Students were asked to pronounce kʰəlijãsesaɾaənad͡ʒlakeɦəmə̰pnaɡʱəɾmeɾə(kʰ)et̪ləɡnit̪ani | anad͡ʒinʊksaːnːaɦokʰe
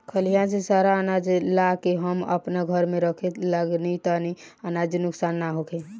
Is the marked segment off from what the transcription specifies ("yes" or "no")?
no